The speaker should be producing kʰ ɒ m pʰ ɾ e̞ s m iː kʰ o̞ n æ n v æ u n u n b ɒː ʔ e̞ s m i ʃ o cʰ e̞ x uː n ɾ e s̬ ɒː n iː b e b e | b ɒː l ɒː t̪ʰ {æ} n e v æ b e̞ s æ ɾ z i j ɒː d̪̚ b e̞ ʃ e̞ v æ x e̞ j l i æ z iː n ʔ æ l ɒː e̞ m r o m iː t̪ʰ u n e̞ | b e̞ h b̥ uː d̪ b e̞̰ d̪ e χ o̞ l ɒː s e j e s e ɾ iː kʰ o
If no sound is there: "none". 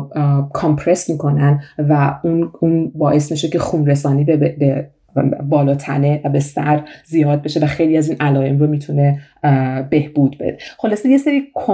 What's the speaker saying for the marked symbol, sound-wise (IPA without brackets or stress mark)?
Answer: æ